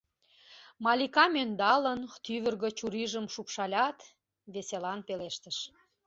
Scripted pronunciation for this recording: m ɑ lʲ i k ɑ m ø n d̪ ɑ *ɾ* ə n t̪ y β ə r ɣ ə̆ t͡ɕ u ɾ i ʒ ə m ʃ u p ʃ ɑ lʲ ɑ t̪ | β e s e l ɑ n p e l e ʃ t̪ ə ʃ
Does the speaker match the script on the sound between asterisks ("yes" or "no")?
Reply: no